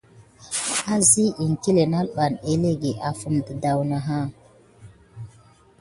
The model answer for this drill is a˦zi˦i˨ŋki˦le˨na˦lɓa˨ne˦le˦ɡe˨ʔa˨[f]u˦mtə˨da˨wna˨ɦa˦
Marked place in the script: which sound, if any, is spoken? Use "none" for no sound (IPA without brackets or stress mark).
f